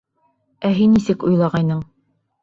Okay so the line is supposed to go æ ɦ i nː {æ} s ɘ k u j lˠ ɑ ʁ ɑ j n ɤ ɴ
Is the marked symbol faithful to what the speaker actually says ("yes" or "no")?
no